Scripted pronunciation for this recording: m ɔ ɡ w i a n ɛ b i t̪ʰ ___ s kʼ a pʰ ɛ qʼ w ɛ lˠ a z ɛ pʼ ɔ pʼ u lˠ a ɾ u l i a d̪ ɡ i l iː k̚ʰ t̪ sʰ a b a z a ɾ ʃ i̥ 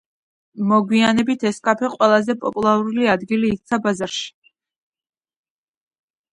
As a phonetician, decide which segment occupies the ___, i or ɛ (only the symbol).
ɛ